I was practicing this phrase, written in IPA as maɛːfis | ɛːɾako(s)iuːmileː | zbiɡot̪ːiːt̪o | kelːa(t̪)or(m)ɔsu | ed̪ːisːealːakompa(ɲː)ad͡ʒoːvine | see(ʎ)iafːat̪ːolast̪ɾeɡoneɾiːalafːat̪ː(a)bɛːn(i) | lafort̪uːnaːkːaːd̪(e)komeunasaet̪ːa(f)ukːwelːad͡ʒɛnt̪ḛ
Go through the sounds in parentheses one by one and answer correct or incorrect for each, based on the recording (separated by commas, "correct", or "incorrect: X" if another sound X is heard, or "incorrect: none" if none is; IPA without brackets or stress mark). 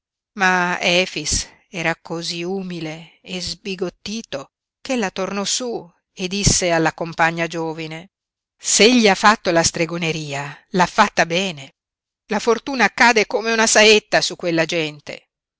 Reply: incorrect: z, correct, incorrect: n, correct, incorrect: ʎː, correct, incorrect: e, correct, incorrect: s